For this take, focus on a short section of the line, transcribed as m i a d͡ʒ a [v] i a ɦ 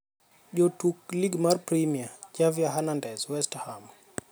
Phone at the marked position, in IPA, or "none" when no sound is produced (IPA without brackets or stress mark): v